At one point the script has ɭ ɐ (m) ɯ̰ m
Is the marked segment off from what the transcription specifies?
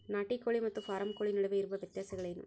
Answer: yes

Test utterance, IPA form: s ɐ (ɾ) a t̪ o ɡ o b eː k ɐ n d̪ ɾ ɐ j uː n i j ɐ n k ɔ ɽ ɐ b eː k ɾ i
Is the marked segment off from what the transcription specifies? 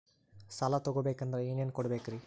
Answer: yes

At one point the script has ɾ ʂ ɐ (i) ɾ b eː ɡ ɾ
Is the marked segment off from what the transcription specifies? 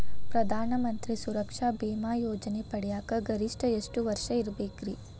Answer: no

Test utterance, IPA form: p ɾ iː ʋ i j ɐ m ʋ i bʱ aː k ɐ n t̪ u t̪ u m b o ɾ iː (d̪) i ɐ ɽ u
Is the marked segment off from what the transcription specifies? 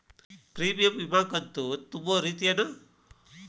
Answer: yes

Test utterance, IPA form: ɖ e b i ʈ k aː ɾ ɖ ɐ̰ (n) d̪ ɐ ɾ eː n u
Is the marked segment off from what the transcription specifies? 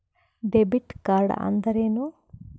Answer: no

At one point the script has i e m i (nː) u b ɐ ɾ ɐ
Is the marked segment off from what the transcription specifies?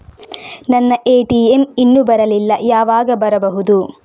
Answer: no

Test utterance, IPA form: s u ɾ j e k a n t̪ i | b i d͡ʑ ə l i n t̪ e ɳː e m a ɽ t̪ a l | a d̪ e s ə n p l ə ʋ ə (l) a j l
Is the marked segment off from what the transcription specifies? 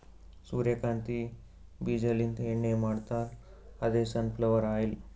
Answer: yes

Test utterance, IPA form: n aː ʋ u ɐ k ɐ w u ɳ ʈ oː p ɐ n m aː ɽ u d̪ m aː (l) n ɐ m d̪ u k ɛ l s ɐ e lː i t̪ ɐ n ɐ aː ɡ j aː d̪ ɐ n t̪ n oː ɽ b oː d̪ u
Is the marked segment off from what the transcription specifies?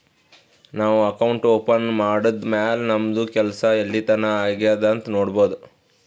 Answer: no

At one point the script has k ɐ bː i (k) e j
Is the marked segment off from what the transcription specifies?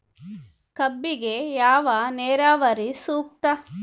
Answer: yes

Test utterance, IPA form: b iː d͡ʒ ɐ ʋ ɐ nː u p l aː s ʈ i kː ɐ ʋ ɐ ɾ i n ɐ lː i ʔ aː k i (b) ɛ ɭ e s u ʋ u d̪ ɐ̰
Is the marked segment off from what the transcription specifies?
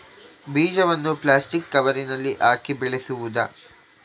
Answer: no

